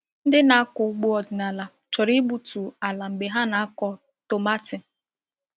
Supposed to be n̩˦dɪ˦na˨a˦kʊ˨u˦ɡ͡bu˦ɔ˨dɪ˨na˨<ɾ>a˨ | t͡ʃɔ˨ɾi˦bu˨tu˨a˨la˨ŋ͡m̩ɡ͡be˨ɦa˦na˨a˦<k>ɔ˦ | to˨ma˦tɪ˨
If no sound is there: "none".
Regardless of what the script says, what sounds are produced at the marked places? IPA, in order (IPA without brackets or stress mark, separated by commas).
l, k